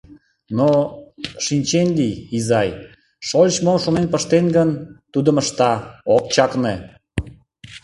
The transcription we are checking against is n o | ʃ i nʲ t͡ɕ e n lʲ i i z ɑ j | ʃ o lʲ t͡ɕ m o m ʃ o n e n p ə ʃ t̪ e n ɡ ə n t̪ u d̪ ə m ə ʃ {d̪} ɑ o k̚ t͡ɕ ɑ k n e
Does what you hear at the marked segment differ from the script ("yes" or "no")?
yes